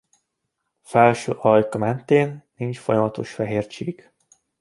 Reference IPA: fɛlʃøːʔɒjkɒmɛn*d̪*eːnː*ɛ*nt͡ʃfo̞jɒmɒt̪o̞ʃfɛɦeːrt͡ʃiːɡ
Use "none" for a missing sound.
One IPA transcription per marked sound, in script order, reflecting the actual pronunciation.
t̪, i

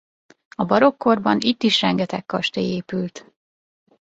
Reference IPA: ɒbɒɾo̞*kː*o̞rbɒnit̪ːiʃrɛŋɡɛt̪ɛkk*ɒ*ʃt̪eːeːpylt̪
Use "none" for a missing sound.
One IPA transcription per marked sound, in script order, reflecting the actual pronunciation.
kː, ɒ

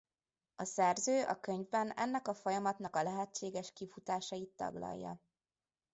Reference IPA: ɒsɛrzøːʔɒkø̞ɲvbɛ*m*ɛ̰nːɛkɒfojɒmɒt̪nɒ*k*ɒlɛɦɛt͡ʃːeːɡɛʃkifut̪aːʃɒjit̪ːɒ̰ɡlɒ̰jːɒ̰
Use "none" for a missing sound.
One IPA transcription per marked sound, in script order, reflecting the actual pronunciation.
n, k

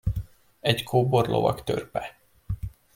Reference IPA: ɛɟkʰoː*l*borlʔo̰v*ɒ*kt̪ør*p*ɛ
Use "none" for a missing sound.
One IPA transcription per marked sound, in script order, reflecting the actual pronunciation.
none, ɒ, p

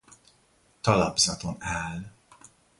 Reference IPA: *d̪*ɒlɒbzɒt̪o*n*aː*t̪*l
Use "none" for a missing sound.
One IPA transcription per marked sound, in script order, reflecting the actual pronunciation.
t̪, n, none

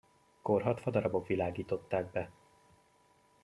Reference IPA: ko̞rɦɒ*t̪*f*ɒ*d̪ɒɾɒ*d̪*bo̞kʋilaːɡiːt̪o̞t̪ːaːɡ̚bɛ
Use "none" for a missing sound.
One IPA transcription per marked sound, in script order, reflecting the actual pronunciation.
t̪, ɒ, none

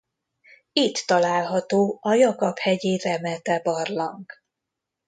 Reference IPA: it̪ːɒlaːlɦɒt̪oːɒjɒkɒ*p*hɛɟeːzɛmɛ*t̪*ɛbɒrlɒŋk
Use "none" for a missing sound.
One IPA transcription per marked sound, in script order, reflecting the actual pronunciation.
p, t̪

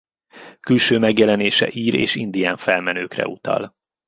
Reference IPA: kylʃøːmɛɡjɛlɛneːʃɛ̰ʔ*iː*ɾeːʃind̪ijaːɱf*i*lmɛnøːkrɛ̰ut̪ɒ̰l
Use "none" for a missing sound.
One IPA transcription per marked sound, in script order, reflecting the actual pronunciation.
iː, ɛ

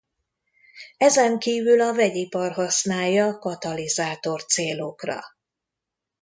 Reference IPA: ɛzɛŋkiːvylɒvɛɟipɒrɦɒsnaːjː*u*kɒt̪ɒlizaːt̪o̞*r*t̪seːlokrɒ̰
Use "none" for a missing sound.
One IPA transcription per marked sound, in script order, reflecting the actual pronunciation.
ɒ, r

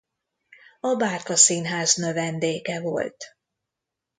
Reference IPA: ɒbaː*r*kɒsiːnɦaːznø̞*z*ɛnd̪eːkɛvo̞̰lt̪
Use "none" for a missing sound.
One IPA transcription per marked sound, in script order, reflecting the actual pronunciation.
r, v

